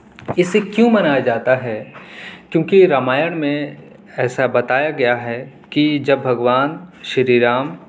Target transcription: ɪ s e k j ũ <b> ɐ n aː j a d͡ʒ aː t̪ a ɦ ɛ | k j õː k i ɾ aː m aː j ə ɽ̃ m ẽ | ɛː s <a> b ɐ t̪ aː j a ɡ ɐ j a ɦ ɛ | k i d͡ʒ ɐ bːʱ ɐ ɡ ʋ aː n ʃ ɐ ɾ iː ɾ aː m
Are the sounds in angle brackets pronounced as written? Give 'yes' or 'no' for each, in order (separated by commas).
no, yes